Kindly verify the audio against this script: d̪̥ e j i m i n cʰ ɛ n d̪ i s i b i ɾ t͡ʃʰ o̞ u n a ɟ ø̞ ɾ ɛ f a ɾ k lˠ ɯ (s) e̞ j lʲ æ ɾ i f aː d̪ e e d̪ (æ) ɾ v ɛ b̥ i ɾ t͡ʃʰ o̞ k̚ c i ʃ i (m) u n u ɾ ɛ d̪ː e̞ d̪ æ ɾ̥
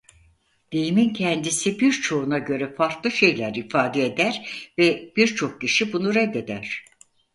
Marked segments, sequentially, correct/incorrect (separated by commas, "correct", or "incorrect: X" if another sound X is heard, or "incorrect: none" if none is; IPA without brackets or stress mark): incorrect: ʃ, correct, incorrect: b